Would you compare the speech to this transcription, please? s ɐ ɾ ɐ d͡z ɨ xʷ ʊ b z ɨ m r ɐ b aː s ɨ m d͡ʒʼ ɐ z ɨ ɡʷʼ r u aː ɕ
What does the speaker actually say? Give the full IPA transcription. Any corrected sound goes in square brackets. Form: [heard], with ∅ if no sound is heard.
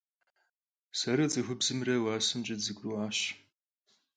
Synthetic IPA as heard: s ɐ ɾ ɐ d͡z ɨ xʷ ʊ b z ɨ m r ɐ [w] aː s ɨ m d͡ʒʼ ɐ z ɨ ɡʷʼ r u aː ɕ